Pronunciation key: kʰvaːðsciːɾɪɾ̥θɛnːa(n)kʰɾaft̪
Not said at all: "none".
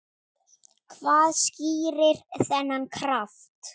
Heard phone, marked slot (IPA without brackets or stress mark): n